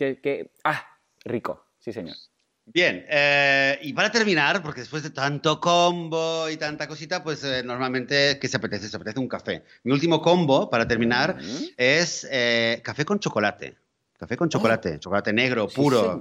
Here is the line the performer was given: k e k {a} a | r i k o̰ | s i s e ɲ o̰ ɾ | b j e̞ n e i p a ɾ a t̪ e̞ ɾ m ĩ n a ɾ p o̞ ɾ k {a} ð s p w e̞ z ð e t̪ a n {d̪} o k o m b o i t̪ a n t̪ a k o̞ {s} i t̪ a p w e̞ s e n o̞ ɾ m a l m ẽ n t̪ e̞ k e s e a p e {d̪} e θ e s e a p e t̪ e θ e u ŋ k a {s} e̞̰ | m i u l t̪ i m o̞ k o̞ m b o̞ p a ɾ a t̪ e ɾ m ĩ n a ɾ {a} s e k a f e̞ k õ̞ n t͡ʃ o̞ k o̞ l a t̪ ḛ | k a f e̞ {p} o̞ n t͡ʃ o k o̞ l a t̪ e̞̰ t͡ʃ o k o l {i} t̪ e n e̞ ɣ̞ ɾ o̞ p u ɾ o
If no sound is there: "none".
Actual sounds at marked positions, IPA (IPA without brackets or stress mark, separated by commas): e, e, t̪, s, t̪, f, e, k, a